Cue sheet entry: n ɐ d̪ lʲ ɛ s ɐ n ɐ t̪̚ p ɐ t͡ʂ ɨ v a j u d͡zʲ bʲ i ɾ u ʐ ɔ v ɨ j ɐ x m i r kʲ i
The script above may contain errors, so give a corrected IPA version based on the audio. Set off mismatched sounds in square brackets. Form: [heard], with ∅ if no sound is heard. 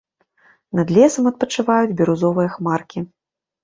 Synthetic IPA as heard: n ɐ d̪ lʲ ɛ s ɐ [m] ɐ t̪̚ p ɐ t͡ʂ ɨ v a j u d͡zʲ bʲ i ɾ u [z] ɔ v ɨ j ɐ x m [a] r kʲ i